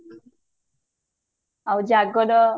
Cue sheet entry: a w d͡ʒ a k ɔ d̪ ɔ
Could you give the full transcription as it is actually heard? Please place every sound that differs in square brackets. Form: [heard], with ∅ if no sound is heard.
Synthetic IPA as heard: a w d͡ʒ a [ɡ] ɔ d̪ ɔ